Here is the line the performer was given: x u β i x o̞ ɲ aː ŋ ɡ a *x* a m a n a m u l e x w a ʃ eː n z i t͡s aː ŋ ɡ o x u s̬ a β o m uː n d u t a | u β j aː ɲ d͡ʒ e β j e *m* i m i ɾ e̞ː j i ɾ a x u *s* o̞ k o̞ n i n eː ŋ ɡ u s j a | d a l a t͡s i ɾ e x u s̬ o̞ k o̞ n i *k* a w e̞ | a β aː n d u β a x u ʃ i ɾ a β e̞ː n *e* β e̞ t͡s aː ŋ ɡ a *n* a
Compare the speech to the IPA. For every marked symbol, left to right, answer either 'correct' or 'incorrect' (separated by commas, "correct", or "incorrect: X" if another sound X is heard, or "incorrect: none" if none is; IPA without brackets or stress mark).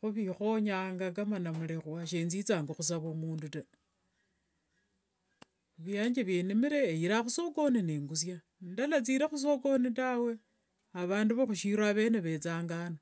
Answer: incorrect: k, incorrect: n, correct, incorrect: t, correct, correct